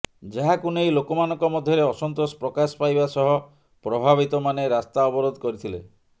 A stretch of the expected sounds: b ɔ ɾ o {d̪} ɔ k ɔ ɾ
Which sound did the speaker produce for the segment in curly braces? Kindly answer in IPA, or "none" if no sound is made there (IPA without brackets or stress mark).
d̪